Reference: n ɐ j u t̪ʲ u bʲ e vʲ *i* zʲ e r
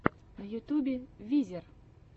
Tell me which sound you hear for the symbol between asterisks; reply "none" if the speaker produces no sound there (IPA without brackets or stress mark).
i